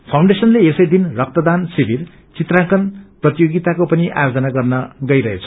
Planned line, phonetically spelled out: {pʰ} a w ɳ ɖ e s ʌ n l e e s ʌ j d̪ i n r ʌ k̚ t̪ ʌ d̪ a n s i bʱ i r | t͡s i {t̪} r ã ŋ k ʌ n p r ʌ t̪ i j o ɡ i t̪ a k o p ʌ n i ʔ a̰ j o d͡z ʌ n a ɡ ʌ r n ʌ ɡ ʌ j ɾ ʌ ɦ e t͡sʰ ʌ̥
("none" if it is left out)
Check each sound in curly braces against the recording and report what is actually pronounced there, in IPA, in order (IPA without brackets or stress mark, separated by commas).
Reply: pʰ, t̪